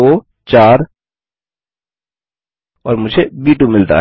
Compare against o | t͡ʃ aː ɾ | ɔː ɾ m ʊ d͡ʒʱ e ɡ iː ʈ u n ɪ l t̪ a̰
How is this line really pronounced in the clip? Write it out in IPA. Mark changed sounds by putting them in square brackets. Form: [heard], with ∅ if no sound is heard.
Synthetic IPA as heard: o | t͡ʃ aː ɾ | ɔː ɾ m ʊ d͡ʒʱ e [b] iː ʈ u [m] ɪ l t̪ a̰